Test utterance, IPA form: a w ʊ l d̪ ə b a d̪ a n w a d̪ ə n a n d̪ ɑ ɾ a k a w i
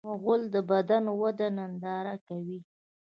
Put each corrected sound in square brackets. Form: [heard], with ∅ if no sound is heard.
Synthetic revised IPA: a [ɣ] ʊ l d̪ ə b a d̪ a n w a d̪ [a] n a n d̪ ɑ ɾ a k a w i